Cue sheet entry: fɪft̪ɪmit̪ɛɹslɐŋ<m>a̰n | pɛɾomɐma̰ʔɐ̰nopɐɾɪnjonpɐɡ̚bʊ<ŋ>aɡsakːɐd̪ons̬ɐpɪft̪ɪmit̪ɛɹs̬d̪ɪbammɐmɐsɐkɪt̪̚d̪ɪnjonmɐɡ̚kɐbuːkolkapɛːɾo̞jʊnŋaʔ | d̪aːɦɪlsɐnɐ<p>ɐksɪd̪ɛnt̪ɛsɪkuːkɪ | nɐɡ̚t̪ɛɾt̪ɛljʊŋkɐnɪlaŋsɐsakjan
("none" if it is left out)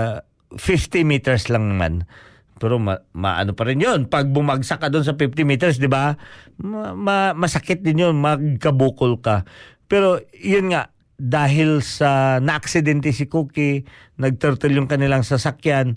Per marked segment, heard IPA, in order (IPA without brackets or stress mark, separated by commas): m, m, ʔ